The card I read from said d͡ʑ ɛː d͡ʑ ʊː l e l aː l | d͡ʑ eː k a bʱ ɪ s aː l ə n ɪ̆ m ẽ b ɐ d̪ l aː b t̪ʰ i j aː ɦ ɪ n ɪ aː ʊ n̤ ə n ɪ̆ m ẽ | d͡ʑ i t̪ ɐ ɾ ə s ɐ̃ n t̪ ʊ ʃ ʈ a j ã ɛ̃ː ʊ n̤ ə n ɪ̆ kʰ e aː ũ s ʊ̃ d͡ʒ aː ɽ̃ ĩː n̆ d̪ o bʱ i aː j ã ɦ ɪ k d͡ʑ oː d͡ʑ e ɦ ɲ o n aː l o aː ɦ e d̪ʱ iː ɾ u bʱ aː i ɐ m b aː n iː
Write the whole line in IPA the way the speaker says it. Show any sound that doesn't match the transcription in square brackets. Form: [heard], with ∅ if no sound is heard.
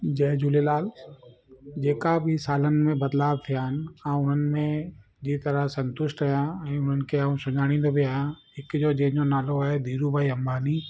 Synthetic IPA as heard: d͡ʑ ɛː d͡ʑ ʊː l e l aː l | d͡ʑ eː k a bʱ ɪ s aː l ə n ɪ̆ m ẽ b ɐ d̪ l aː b t̪ʰ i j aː ɦ ɪ n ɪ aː ʊ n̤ ə n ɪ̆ m ẽ | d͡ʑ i t̪ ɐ ɾ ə s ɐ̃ n t̪ ʊ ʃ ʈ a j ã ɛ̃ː ʊ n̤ ə n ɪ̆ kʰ e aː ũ s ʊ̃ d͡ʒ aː ɽ̃ ĩː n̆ d̪ o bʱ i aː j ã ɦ ɪ k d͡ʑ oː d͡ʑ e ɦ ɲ o n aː l o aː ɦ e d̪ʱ iː ɾ u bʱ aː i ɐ m b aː n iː